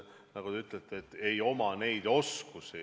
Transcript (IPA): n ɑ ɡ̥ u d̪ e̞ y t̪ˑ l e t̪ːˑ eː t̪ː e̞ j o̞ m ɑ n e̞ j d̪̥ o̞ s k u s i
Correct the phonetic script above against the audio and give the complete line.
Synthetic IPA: n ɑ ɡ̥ u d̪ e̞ y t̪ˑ l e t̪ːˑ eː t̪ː e̞ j o̞ m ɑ n e̞ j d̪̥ o̞ s k u s i